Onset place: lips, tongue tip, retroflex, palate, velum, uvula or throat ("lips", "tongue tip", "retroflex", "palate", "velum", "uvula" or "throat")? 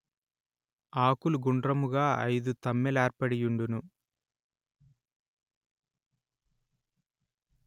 velum